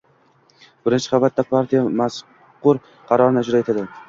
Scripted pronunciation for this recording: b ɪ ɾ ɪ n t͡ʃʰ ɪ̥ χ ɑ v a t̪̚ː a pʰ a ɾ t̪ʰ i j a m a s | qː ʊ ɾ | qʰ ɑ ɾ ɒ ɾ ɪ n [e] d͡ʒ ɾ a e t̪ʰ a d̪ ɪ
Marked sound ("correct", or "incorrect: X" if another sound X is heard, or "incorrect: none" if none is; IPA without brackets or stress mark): incorrect: a